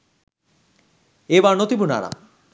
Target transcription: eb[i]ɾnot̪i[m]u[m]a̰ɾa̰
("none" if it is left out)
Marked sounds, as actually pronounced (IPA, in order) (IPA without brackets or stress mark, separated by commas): a, b, n